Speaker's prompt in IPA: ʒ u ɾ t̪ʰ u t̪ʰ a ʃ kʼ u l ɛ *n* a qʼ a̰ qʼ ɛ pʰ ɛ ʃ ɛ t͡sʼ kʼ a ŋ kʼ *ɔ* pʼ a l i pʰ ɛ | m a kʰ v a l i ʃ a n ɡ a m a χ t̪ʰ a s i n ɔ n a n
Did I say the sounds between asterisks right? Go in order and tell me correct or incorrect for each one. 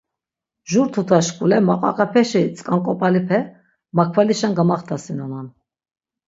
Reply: incorrect: m, correct

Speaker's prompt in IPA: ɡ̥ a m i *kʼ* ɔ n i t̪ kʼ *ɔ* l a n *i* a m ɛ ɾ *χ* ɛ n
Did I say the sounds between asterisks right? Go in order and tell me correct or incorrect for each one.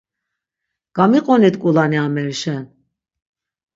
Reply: incorrect: qʼ, incorrect: u, correct, incorrect: ʃ

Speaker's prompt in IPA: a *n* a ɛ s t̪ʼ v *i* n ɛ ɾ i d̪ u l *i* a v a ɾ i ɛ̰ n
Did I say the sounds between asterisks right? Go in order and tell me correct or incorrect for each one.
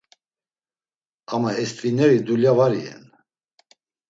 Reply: incorrect: m, correct, incorrect: j

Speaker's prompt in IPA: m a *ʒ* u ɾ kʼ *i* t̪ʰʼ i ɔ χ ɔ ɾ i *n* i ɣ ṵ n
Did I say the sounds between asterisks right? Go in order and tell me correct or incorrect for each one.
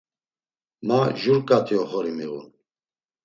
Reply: correct, incorrect: a, incorrect: m

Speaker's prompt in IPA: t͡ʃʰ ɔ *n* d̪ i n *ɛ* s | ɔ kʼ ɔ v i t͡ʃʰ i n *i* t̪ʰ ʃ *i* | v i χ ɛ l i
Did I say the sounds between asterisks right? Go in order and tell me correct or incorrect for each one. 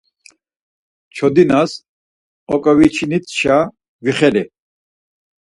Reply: incorrect: none, incorrect: a, correct, incorrect: a

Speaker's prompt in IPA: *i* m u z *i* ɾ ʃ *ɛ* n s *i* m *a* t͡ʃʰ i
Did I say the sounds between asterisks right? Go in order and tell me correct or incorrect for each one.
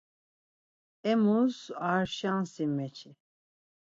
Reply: incorrect: ɛ, incorrect: a, incorrect: a, correct, incorrect: ɛ

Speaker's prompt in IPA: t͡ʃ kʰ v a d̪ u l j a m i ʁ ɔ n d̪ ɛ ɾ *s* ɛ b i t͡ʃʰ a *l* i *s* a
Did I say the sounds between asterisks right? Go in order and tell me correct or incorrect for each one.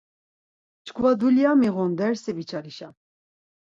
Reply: correct, incorrect: ɾ, incorrect: ʃ

